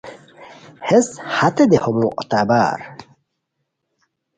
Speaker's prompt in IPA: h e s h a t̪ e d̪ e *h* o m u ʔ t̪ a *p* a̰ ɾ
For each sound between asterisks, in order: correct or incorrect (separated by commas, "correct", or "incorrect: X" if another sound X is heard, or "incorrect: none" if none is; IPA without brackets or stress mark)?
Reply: correct, incorrect: b